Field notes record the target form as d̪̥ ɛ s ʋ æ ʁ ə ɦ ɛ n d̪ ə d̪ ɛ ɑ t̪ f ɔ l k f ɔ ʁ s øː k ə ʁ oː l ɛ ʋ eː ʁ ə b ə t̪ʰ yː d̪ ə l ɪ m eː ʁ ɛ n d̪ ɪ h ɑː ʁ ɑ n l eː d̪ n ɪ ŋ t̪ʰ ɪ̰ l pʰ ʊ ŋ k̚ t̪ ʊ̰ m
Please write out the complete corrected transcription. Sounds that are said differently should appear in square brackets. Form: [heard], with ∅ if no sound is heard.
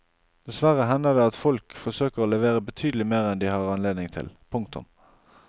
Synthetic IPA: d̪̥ ɛ s ʋ æ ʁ ə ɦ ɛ n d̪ ə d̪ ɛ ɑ t̪ f ɔ l k f ɔ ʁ s øː k ə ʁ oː l ɛ ʋ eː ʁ ə b ə t̪ʰ yː d̪ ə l ɪ m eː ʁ ɛ n d̪ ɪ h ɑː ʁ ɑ n l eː d̪ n ɪ ŋ t̪ʰ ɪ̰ l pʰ ʊ ŋ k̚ t̪ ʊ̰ m